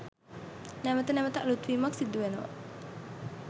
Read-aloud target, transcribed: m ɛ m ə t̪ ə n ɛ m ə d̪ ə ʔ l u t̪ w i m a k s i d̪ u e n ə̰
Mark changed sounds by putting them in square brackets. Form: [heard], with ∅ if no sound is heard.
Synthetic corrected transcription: [n] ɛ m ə t̪ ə n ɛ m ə [t̪] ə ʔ l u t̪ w i m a k s i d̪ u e n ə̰